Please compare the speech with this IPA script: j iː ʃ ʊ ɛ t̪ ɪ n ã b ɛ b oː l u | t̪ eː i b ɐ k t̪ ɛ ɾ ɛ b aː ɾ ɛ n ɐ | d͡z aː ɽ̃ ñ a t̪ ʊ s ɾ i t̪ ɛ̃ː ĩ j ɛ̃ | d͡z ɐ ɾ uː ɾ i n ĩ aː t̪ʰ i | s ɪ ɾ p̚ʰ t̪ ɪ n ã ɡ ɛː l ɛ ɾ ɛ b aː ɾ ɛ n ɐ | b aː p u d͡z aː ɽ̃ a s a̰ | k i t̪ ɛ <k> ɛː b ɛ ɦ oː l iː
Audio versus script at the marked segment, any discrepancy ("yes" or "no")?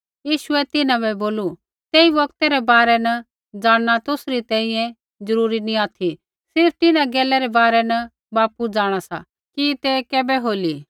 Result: no